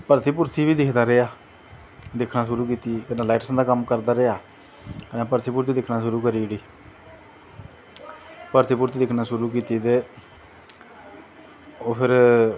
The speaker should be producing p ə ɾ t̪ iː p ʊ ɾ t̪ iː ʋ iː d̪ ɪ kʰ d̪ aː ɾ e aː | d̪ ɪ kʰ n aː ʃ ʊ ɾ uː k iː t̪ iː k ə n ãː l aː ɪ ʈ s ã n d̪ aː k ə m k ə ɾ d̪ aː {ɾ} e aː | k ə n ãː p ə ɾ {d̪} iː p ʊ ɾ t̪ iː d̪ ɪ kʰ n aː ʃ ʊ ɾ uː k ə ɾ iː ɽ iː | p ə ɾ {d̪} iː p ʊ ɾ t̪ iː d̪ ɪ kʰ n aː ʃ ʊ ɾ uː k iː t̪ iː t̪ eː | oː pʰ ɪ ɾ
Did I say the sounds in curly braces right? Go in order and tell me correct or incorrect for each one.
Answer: correct, incorrect: t̪, incorrect: t̪

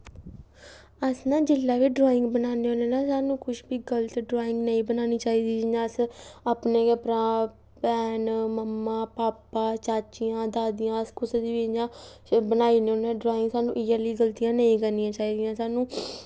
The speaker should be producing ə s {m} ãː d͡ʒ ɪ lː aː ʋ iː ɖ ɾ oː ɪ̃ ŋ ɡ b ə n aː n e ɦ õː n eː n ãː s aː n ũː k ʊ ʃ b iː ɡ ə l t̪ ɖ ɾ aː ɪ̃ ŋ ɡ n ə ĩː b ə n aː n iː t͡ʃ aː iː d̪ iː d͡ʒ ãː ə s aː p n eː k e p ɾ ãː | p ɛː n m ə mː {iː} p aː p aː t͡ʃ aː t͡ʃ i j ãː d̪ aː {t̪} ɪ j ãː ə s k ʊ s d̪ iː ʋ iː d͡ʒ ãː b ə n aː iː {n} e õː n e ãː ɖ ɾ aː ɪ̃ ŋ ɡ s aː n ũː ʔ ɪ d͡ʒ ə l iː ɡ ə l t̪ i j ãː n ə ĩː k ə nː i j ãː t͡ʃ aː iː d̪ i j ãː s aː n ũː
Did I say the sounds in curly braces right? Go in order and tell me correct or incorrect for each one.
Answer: incorrect: n, incorrect: aː, incorrect: d̪, correct

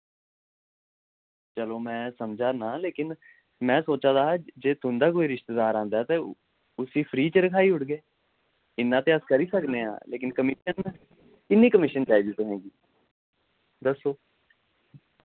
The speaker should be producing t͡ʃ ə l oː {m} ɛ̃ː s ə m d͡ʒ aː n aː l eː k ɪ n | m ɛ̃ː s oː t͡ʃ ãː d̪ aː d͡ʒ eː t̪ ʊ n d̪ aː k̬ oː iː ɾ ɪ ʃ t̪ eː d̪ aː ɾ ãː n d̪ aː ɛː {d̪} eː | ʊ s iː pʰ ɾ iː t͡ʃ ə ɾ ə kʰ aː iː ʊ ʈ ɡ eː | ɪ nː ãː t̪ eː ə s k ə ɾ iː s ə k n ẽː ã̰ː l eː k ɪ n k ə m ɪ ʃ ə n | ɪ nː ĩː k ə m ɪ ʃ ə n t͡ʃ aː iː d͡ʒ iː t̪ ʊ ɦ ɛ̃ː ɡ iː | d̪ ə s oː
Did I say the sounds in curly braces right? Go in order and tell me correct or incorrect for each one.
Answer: correct, incorrect: t̪

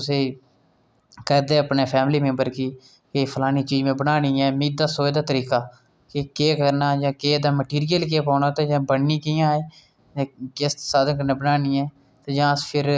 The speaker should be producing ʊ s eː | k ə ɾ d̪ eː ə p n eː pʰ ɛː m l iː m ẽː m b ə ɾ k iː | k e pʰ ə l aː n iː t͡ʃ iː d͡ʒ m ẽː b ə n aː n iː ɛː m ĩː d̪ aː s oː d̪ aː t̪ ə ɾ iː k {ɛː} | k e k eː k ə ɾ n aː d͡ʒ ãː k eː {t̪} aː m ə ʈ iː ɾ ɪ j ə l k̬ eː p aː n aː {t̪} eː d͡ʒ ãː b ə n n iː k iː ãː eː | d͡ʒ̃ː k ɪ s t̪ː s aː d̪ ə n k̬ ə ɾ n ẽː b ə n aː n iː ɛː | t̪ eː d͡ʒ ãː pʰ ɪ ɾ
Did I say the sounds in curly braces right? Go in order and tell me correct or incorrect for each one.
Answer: incorrect: aː, incorrect: d̪, correct

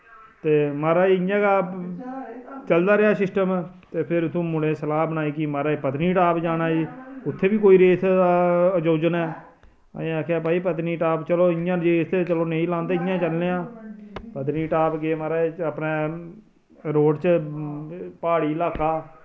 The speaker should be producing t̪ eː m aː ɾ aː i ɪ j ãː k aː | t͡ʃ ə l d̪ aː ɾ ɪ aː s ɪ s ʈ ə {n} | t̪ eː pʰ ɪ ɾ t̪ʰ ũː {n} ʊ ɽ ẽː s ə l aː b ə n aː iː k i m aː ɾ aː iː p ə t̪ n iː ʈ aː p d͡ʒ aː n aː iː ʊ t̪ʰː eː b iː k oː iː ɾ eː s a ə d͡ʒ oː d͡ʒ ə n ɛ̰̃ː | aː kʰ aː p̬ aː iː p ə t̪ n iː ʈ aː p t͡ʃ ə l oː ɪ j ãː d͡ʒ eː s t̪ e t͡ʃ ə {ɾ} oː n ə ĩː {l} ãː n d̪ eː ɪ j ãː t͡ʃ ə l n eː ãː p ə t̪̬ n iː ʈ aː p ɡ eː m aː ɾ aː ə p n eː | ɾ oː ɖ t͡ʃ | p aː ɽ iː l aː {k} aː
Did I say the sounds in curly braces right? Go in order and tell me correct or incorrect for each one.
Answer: incorrect: m, incorrect: m, incorrect: l, correct, correct

